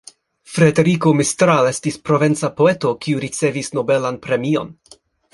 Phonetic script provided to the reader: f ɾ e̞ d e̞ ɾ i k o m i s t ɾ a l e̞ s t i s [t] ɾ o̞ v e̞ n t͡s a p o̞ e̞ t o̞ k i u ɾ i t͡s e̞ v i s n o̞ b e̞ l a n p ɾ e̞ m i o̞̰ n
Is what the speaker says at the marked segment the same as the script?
no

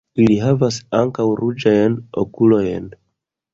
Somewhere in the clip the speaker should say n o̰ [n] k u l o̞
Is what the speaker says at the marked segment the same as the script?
no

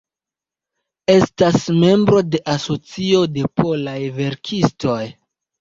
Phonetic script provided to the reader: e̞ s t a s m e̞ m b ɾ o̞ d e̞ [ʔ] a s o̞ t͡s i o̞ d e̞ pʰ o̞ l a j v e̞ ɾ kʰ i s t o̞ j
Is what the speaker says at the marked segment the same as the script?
yes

